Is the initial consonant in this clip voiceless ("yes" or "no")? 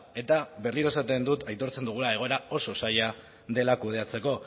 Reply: yes